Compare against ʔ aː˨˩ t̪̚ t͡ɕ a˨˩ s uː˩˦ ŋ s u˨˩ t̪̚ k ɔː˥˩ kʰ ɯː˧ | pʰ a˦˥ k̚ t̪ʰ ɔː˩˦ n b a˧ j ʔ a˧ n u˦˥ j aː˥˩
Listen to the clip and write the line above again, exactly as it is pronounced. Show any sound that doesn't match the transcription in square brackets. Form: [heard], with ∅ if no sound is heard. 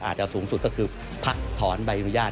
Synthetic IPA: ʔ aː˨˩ t̪̚ t͡ɕ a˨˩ s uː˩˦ ŋ s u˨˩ t̪̚ k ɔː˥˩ kʰ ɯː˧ | pʰ a˦˥ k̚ t̪ʰ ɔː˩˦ n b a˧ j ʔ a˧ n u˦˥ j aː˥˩